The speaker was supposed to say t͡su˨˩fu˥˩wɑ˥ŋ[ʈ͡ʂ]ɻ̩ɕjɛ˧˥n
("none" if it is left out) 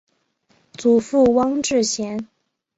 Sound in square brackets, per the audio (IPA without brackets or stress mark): ʈ͡ʂ